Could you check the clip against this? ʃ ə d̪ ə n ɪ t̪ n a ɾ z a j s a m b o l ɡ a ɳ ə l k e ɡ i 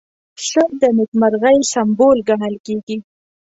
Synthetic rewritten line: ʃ ə d̪ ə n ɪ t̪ m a ɾ ɣ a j s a m b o l ɡ a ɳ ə l k e ɡ i